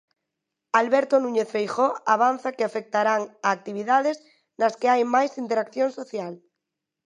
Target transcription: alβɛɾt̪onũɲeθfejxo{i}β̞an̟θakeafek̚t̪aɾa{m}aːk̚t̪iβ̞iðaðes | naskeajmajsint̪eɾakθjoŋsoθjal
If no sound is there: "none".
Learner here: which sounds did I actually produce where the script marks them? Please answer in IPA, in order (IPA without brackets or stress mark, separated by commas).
a, ŋ